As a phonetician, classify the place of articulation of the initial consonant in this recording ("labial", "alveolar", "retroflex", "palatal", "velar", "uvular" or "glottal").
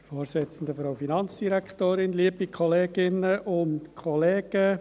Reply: labial